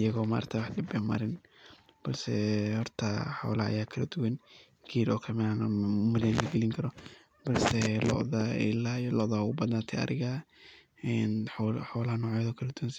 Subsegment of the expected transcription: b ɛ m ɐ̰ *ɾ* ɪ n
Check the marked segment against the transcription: correct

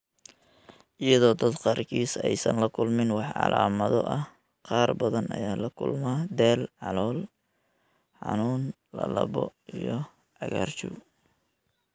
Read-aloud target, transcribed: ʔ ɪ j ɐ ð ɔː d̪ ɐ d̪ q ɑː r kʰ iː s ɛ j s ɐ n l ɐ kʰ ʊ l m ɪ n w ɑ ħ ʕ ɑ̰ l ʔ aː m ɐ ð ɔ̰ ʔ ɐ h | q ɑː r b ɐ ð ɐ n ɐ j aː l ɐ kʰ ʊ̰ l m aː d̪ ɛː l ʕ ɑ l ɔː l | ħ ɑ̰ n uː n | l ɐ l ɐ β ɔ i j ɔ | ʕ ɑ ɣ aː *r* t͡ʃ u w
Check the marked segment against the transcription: correct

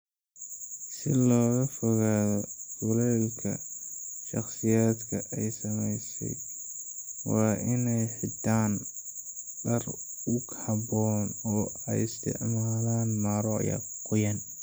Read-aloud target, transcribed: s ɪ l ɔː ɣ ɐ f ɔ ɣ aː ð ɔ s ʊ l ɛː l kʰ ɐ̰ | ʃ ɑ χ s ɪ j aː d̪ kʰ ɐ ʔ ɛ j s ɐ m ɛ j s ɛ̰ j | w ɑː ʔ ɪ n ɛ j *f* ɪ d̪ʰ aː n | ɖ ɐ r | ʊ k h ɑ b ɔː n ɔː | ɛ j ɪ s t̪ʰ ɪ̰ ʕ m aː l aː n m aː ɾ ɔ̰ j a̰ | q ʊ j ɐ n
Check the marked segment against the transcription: incorrect: ħ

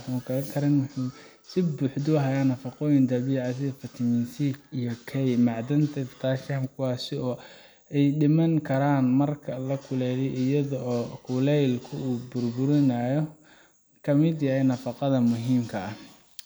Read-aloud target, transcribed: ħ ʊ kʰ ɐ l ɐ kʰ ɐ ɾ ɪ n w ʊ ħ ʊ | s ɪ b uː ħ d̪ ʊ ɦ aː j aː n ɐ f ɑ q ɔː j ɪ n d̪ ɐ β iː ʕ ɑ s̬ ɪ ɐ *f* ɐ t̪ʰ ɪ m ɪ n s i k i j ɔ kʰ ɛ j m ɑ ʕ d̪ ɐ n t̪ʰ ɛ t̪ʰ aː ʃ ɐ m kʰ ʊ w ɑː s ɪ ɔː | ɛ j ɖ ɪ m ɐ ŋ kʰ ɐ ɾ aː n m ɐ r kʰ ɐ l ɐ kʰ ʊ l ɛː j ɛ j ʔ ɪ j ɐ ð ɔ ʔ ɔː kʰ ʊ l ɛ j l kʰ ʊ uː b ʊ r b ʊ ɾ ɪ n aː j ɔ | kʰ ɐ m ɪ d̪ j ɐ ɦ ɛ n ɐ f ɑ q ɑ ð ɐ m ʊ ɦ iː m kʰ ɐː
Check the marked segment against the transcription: correct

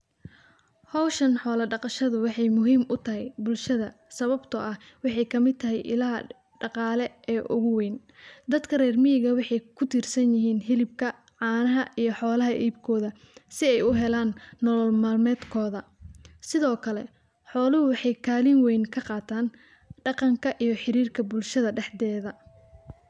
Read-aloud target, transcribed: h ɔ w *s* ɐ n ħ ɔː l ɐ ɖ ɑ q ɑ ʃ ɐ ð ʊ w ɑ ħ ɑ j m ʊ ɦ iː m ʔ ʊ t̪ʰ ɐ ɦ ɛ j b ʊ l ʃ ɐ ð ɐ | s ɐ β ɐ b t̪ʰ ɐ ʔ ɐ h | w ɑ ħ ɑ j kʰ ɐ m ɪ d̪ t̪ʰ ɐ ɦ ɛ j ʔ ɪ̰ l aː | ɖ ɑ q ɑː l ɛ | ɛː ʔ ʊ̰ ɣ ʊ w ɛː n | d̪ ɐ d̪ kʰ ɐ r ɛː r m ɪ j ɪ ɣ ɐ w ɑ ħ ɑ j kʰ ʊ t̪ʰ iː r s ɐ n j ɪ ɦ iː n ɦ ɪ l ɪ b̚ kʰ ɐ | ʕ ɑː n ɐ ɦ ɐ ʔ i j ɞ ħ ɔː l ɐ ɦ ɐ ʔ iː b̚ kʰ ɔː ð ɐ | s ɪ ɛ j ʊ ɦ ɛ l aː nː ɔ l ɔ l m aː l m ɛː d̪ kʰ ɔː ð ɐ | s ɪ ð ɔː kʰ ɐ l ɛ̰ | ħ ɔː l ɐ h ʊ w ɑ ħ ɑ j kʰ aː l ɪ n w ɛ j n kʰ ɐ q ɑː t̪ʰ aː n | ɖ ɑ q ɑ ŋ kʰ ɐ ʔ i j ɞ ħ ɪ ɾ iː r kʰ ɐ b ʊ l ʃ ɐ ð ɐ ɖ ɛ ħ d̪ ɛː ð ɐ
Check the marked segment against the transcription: incorrect: ʃ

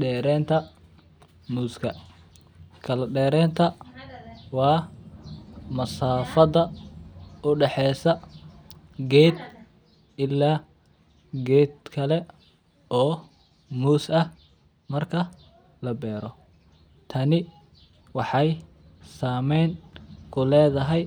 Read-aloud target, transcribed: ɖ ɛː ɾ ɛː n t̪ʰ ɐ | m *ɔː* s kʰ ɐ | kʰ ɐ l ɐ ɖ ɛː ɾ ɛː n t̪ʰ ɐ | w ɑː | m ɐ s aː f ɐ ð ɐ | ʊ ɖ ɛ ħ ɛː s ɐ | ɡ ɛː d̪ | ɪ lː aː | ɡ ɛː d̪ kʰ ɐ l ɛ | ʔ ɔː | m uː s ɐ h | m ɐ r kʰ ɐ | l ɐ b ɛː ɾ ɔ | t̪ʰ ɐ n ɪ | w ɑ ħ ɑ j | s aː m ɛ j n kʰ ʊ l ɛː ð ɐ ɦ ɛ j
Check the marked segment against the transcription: incorrect: uː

